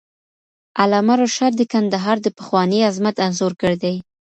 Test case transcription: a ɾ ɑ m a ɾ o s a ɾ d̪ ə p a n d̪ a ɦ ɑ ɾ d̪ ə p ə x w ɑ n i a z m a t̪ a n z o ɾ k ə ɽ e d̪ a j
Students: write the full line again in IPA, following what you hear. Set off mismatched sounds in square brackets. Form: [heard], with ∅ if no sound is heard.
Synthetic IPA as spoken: a [l] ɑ m a ɾ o [ʃ] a ɾ d̪ ə [k] a n d̪ a ɦ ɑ ɾ d̪ ə p ə x w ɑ n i a z m a t̪ a n z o ɾ k ə ɽ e d̪ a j

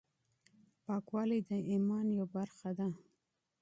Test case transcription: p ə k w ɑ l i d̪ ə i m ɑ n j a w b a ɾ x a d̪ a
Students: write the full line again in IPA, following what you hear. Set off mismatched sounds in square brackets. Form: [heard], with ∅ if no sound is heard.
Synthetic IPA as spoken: p [ɑ] k w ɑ l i d̪ ə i m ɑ n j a w b a ɾ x a d̪ a

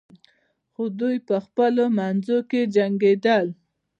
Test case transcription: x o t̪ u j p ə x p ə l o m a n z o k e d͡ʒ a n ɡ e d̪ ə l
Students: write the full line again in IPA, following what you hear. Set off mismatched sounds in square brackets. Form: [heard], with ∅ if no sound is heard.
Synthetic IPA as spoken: x o [d̪] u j p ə x p ə l o m a n z o k e d͡ʒ a [ŋ] ɡ e d̪ ə l

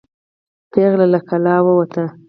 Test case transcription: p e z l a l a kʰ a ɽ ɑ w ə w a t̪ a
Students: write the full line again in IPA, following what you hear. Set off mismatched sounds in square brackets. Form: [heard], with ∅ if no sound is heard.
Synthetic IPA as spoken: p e [ɣ] l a l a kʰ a [l] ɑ w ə w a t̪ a

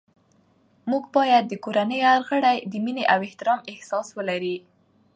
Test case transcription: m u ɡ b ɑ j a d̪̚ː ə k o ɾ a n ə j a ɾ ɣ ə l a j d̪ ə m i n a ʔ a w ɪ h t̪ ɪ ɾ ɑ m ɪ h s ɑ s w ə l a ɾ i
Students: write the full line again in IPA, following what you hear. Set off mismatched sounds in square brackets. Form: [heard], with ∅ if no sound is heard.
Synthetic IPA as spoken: m u ɡ b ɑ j a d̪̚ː ə k o ɾ a n ə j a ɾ ɣ ə [ɽ] a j d̪ ə m i n [e] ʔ a w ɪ h t̪ ɪ ɾ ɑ m ɪ h s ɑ s w ə l a ɾ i

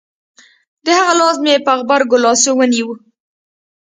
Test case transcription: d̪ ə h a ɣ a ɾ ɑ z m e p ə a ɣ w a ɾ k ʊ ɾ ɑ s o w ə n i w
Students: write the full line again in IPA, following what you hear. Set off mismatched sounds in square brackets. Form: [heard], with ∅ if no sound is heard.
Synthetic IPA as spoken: d̪ ə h a ɣ a [l] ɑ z m e p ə a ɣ [b] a ɾ [ɡ] ʊ [l] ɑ s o w ə n i w

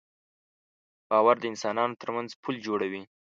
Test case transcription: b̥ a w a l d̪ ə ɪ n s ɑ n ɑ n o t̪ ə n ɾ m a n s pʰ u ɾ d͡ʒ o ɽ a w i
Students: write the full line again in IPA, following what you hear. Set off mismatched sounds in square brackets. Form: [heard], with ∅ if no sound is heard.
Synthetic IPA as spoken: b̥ [ɑ] w a [ɾ] d̪ ə ɪ n s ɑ n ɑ n o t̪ ə [∅] ɾ m a n [z] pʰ u [l] d͡ʒ o ɽ a w i

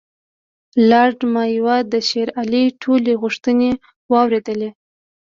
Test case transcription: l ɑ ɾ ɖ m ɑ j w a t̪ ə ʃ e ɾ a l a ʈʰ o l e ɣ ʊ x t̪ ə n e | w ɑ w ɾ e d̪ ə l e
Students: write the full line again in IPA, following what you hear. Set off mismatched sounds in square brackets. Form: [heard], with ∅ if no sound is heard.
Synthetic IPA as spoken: l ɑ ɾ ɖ m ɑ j w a [d̪] ə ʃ e ɾ a l [i] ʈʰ o l e ɣ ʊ [ʂ] t̪ ə n e | w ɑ w ɾ e d̪ ə l e

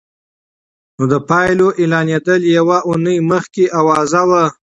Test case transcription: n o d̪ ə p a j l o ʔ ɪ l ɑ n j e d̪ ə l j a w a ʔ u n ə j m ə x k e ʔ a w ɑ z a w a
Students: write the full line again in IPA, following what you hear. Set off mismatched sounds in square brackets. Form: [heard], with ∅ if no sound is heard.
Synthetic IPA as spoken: n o d̪ ə p [ɑ] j l o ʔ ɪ l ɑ n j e d̪ ə l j a w a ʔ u n ə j m ə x k e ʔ a w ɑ z a w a

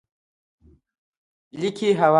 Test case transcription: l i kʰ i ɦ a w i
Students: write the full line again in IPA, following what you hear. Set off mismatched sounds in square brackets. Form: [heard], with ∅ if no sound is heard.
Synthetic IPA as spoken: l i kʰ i ɦ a w [a]

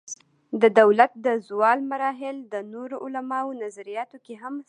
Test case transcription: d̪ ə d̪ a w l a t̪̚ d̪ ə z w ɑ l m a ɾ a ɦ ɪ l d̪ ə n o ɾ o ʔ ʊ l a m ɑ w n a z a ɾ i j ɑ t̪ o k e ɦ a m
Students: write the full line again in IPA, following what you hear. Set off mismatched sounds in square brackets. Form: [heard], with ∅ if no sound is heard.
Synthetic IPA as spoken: d̪ ə d̪ a w l a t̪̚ d̪ ə z w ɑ l m a ɾ [ɑ] ɦ ɪ l d̪ ə n o ɾ o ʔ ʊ l a m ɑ w n a z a ɾ i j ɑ t̪ o k e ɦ a m

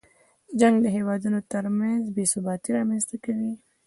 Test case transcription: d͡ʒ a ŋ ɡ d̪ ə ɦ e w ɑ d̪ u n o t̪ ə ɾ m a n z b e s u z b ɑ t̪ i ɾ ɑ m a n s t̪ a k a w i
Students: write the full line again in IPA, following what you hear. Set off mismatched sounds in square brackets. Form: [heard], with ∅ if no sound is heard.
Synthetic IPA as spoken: d͡ʒ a ŋ ɡ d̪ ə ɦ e w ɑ d̪ u n o t̪ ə ɾ m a n z b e s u [∅] b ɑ t̪ i ɾ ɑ m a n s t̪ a k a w i

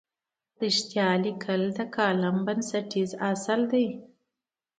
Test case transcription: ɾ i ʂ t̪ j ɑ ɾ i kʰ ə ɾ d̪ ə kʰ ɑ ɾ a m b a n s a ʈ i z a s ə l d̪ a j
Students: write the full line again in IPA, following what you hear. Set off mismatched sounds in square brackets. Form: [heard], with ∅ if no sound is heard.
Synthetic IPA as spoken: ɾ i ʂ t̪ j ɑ [l] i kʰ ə [l] d̪ ə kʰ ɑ [l] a m b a n s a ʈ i z a s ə l d̪ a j

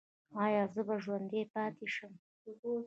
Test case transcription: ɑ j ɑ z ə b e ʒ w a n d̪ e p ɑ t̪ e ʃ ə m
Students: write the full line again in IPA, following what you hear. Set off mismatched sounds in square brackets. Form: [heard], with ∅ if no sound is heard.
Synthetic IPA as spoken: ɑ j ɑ z ə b [a] ʒ w a n d̪ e p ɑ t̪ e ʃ ə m

